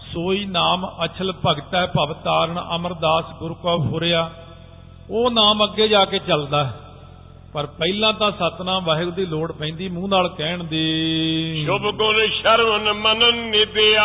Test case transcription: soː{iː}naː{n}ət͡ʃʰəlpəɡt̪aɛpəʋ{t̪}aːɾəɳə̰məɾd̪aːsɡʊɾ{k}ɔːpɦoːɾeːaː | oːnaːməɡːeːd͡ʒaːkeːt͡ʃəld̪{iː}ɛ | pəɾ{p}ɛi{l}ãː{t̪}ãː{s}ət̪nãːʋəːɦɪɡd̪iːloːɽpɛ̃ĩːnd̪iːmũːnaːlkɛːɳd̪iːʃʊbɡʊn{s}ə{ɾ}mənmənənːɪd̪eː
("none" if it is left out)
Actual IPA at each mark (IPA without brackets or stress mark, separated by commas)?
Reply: iː, m, t̪, k, aː, p, l, t̪, s, ʃ, ɾ